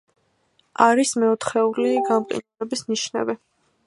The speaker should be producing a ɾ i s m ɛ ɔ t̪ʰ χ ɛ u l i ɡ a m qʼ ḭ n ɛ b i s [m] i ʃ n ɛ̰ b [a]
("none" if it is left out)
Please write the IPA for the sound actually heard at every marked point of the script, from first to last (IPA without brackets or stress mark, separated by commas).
n, i